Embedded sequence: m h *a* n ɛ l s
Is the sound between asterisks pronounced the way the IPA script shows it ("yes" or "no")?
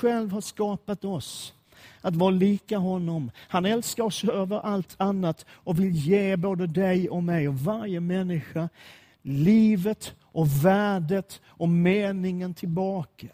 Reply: yes